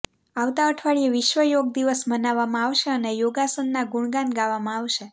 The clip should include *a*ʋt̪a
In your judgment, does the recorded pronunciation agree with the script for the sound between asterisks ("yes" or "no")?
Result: yes